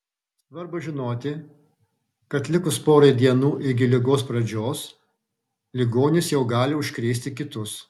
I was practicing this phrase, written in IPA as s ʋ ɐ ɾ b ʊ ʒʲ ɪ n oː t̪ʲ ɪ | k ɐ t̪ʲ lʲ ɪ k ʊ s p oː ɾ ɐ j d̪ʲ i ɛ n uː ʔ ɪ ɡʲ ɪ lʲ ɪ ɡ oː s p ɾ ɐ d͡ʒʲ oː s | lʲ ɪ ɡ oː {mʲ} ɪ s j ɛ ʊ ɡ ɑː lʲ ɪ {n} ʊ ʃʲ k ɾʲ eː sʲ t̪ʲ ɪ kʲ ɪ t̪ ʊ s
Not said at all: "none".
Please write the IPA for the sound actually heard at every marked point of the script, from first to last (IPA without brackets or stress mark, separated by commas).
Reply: nʲ, none